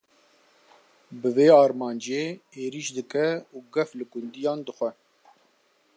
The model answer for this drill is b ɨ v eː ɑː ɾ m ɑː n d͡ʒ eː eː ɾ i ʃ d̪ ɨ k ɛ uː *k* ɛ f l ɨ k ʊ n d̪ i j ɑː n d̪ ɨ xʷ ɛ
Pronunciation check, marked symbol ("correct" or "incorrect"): incorrect